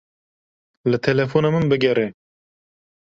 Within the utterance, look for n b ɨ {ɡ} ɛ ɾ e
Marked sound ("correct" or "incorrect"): correct